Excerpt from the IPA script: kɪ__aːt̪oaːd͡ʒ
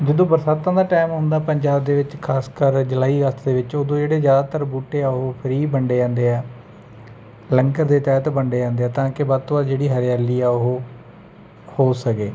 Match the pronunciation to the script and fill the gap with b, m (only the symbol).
b